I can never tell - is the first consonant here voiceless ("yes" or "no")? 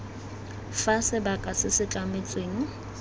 yes